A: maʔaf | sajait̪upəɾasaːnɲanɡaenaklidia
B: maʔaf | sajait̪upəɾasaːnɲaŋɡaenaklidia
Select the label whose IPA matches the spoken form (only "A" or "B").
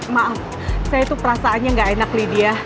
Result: B